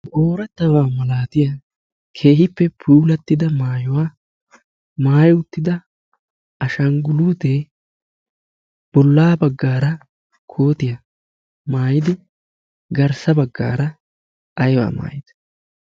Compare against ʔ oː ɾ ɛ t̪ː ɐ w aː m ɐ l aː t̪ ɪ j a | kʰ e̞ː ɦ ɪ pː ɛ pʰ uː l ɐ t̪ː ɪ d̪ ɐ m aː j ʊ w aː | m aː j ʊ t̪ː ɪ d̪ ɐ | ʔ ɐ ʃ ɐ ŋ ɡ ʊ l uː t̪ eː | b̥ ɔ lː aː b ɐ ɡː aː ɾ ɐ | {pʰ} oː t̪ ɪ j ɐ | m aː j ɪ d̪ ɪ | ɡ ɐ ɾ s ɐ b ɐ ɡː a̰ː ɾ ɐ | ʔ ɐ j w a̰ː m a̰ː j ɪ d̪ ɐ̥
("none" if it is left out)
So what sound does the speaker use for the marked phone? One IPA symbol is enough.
kʰ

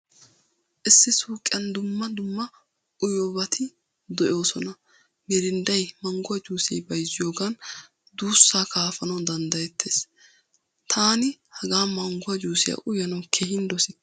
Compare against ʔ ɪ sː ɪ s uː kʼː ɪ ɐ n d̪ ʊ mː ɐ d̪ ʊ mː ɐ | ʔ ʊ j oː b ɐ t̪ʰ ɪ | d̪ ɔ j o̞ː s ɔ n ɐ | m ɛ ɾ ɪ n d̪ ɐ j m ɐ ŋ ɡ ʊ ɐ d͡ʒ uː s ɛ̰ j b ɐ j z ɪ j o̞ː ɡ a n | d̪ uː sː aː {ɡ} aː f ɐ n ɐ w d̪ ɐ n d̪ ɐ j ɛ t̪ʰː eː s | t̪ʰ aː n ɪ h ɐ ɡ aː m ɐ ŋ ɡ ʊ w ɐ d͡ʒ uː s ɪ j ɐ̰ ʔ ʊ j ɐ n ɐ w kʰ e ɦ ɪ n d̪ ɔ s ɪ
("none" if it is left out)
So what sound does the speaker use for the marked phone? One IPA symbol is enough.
k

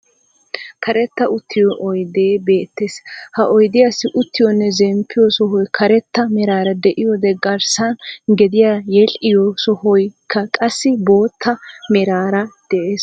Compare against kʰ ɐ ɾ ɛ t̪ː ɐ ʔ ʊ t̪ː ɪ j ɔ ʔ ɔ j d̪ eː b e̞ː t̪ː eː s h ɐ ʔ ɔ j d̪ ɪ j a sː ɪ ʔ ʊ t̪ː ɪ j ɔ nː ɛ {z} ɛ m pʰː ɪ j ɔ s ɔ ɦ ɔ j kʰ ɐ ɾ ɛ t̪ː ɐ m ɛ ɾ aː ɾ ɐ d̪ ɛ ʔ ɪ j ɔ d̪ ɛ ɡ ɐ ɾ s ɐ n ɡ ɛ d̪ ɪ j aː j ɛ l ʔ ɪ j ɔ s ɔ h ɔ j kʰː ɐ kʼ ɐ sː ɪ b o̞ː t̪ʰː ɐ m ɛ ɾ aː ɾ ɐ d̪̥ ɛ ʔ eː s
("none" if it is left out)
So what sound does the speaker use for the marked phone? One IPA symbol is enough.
z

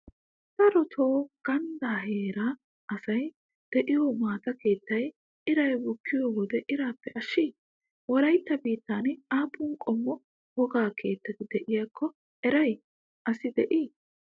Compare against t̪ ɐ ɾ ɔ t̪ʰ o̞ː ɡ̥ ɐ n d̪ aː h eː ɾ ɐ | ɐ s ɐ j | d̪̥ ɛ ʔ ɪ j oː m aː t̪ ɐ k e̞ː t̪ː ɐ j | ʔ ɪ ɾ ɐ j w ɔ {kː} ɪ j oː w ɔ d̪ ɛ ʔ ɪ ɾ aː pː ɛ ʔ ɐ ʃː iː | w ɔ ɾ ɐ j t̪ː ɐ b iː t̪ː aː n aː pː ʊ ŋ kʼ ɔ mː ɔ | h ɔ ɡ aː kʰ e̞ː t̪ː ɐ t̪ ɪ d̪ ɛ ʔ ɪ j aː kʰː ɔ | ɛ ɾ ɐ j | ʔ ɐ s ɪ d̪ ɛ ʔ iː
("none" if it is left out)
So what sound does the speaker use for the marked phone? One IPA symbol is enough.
kː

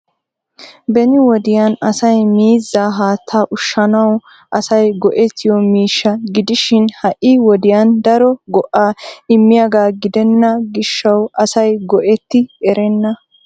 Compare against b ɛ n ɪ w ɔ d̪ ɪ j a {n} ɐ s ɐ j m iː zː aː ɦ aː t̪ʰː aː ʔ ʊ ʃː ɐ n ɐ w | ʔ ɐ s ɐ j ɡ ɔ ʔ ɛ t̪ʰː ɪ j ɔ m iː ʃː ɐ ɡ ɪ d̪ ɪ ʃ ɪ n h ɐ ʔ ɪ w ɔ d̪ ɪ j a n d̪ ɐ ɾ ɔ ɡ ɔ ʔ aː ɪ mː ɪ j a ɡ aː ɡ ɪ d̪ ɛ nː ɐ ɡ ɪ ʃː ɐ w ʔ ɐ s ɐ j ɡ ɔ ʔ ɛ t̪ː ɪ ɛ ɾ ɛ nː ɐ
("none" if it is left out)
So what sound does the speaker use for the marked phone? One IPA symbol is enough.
n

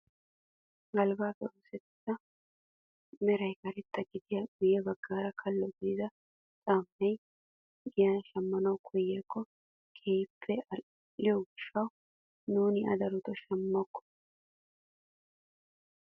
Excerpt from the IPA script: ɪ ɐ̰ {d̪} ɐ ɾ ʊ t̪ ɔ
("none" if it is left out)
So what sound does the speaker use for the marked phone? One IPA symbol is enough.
d̪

